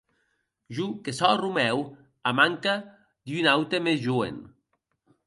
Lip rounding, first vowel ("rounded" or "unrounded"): rounded